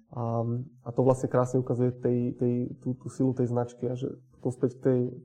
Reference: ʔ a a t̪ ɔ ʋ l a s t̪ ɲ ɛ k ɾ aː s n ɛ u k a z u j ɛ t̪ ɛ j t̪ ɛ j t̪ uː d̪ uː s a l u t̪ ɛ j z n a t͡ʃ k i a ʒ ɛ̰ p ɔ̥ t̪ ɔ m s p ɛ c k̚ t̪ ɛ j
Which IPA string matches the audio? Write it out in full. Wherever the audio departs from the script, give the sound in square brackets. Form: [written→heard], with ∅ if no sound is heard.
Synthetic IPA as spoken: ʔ a a t̪ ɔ ʋ l a s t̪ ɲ ɛ k ɾ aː s [n→ɲ] ɛ u k a z u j ɛ t̪ ɛ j t̪ ɛ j t̪ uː [d̪→t̪] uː s [a→i] l u t̪ ɛ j z n a t͡ʃ k i a ʒ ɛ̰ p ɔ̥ t̪ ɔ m s p ɛ c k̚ t̪ ɛ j